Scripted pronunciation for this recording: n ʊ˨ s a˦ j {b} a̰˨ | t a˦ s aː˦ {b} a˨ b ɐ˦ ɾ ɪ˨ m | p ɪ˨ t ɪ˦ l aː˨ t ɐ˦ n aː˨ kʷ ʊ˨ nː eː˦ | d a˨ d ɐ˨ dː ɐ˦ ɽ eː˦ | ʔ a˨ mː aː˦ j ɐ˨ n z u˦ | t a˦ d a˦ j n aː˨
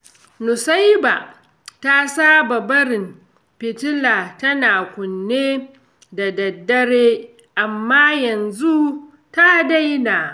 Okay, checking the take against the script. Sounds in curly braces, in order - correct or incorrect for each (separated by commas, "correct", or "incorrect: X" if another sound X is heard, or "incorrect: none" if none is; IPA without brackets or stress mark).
correct, correct